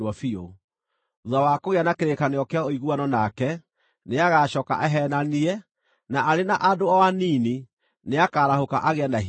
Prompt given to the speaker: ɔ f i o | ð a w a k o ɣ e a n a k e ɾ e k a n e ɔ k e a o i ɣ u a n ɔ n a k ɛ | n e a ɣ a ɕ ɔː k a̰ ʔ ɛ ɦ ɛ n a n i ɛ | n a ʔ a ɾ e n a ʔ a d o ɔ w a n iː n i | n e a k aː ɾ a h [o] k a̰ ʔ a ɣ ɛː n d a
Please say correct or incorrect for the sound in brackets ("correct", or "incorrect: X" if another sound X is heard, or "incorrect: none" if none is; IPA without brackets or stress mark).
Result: correct